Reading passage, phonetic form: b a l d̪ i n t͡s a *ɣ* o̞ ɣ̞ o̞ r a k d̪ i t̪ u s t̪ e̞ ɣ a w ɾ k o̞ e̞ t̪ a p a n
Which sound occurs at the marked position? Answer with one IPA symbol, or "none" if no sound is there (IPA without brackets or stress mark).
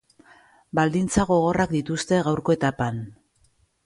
ɣ